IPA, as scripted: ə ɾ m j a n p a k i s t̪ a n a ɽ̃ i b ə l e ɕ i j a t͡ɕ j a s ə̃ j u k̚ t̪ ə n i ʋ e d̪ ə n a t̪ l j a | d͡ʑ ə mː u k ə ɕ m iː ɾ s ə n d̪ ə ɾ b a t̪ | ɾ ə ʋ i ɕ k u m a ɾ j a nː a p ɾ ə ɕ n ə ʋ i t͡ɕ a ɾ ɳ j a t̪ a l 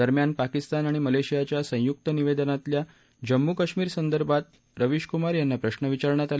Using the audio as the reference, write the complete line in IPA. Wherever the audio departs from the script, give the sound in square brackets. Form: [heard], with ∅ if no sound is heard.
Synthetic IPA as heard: ə ɾ m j a n p a k i s t̪ a n a ɽ̃ i [m] ə l e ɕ i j a t͡ɕ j a s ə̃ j u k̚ t̪ ə n i ʋ e d̪ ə n a t̪ l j a | d͡ʑ ə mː u k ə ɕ m iː ɾ s ə n d̪ ə ɾ b a t̪ | ɾ ə ʋ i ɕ k u m a ɾ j a nː a p ɾ ə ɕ n ə ʋ i t͡ɕ a ɾ ɳ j a t̪ a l